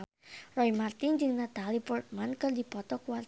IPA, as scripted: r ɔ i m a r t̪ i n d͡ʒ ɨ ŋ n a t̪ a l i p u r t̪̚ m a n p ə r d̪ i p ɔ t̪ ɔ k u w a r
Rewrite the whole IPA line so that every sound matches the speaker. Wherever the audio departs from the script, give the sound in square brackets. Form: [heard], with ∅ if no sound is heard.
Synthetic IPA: r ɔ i m a r t̪ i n d͡ʒ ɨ ŋ n a t̪ a l i p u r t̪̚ m a n [k] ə r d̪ i p ɔ t̪ ɔ k u w a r

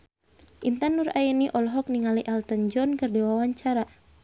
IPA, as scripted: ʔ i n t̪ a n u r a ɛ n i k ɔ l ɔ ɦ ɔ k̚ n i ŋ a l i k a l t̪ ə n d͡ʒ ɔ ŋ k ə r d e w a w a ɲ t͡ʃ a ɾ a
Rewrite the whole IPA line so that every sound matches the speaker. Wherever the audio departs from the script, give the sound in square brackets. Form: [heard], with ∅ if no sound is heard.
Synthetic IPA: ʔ i n t̪ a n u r a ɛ n i [ʔ] ɔ l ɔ ɦ ɔ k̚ n i ŋ a l i [ʔ] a l t̪ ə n d͡ʒ ɔ [n] k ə r d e w a w a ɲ t͡ʃ a ɾ a

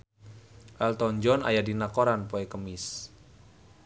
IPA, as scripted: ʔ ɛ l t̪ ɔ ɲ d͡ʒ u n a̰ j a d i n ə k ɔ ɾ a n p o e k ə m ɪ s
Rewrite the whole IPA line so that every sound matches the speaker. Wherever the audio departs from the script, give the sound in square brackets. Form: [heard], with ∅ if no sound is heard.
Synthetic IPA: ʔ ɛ l t̪ ɔ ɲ d͡ʒ [ɔ] n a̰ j a d i n [a] k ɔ ɾ a n p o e k ə m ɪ s

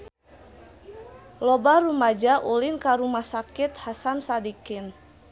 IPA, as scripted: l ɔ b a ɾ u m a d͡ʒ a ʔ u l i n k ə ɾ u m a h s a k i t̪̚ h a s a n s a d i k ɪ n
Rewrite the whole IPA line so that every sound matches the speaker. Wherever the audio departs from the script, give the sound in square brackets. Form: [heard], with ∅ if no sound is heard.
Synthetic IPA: l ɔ b a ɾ u m a d͡ʒ a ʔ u l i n k [a] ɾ u m a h s a k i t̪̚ h a s a n s a d i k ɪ n

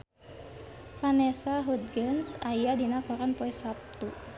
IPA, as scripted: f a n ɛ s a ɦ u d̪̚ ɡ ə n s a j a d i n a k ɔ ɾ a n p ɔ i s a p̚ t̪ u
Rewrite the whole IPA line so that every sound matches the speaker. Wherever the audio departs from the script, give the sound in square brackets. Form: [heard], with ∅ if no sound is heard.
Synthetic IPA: f a n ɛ s a ɦ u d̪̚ ɡ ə n s a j a d i n a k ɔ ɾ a n p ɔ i s a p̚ t̪ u

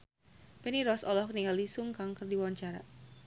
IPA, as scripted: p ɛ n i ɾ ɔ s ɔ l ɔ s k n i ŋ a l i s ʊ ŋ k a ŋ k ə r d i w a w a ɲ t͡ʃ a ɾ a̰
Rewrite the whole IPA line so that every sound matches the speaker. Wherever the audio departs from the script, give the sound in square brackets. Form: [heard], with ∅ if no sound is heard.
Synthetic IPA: p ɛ n i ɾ ɔ s ɔ l ɔ [h] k n i ŋ a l i s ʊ ŋ k a ŋ k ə r d i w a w a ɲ t͡ʃ a ɾ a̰

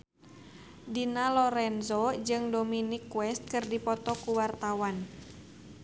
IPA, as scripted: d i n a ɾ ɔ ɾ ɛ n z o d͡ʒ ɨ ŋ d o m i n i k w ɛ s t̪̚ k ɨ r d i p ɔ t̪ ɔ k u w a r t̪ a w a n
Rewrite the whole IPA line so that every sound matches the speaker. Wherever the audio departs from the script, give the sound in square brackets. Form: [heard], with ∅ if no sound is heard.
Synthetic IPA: d i n a [l] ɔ ɾ ɛ n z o d͡ʒ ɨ ŋ d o m i n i k w ɛ s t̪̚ k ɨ r d i p ɔ t̪ ɔ k u w a r t̪ a w a n

